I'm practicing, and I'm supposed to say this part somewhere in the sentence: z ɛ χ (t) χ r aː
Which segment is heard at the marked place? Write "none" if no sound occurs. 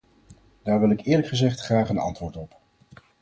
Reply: t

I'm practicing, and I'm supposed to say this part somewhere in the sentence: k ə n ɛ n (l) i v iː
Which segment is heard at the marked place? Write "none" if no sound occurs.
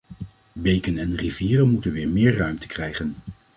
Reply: r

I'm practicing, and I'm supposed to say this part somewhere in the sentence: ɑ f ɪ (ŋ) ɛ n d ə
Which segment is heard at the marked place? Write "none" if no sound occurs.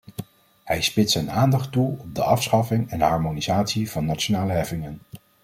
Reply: ŋ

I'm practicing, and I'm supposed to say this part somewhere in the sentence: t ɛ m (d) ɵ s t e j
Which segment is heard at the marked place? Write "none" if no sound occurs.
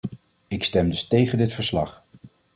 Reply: d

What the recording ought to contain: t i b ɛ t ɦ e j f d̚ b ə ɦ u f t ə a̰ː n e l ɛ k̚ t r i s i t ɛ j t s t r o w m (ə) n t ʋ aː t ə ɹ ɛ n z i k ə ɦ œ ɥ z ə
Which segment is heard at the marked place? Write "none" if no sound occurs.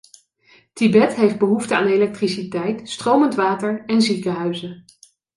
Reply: ə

